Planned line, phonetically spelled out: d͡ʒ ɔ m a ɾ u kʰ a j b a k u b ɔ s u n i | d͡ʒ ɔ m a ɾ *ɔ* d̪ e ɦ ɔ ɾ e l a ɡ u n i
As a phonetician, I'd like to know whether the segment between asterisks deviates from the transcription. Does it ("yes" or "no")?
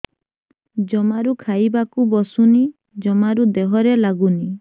yes